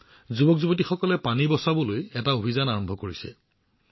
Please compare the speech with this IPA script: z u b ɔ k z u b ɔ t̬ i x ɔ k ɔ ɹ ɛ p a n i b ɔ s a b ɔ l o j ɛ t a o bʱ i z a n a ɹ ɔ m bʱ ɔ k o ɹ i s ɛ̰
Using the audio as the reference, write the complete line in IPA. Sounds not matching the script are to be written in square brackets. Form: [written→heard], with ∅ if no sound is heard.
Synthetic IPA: z u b ɔ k z u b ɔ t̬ i x ɔ k ɔ [ɹ→l] ɛ p a n i b ɔ s a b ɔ l o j ɛ t a o bʱ i z a n a ɹ ɔ m bʱ ɔ k o ɹ i s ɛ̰